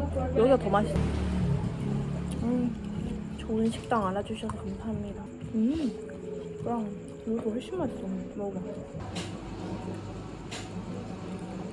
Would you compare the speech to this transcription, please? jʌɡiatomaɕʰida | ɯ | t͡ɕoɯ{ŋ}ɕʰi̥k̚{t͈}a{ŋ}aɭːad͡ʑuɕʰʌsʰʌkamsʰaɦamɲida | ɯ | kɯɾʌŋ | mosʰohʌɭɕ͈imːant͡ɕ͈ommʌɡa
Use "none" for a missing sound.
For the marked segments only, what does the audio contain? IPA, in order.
n, t͈, ŋ

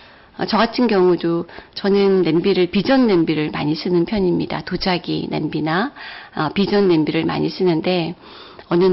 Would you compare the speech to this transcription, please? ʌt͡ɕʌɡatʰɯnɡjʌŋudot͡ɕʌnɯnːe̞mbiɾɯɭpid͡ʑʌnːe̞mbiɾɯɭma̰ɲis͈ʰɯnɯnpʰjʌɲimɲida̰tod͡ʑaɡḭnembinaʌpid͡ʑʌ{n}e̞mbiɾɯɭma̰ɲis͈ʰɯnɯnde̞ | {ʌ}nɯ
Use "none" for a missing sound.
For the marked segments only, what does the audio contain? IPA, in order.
nː, ʌ

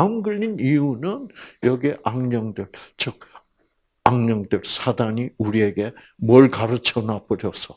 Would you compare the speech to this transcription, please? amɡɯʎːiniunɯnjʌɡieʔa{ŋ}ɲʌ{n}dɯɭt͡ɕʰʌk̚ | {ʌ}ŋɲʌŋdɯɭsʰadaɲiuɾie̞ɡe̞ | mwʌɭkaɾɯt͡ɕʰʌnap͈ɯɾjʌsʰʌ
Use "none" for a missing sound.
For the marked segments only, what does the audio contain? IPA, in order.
ŋ, ŋ, a

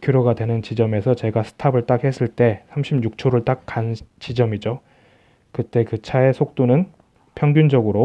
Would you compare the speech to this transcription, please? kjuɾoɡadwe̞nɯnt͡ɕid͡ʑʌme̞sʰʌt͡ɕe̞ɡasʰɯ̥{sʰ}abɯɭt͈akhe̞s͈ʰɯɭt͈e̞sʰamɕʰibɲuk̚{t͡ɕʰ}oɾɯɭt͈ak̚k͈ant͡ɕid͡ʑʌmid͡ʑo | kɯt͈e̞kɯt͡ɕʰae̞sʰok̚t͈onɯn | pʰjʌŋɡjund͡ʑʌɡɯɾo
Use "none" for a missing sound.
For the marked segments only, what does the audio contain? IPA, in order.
tʰ, t͡ɕʰ

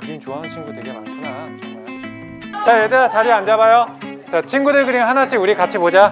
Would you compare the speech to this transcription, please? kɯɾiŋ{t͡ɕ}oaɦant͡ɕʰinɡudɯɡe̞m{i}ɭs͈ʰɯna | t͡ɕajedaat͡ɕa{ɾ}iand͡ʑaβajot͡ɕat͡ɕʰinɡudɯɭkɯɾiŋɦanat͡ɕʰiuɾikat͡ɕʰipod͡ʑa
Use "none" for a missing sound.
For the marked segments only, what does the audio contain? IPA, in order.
t͡ɕ, a, ɾ

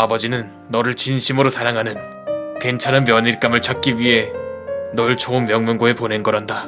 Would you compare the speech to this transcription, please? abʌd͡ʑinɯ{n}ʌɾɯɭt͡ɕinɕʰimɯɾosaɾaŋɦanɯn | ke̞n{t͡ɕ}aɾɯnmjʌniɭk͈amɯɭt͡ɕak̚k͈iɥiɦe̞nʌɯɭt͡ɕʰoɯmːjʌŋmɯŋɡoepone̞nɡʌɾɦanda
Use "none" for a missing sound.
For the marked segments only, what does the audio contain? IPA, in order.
nː, t͡ɕʰ

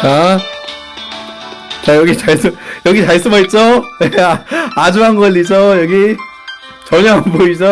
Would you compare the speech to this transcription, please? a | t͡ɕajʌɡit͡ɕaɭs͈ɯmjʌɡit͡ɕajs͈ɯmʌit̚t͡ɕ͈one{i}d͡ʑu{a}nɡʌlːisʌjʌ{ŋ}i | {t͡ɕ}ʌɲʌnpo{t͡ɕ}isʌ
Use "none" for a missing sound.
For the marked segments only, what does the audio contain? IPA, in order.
a, a, ɡ, t͡ɕ, none

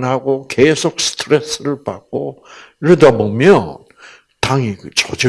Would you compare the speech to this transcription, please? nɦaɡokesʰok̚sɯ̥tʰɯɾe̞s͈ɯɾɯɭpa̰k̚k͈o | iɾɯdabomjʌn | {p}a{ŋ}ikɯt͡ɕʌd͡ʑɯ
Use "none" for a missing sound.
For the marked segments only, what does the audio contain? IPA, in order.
t, ŋ

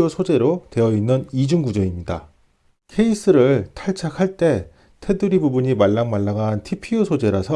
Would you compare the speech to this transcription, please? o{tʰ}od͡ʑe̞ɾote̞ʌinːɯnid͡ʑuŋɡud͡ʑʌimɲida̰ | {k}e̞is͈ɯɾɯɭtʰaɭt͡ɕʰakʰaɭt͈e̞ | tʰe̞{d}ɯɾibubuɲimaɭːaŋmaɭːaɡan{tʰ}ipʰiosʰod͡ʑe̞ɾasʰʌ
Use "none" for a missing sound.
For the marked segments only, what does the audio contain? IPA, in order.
sʰ, kʰ, d, tʰ

